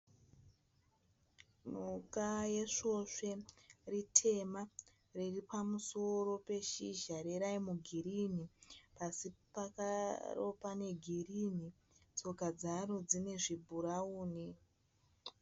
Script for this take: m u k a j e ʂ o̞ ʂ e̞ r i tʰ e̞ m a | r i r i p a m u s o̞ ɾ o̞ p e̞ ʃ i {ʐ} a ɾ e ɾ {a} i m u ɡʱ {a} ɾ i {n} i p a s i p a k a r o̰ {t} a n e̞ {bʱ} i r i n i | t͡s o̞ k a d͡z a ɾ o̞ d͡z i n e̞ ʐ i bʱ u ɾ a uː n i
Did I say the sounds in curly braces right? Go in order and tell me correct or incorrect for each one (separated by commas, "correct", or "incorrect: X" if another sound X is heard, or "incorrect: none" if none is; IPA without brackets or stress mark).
incorrect: ʒ, correct, incorrect: i, correct, incorrect: p, incorrect: ɡʱ